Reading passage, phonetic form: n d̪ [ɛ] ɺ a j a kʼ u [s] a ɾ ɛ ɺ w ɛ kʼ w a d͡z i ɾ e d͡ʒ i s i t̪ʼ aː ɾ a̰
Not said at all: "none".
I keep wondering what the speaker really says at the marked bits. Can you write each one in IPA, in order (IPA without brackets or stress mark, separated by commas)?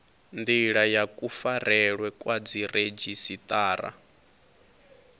i, f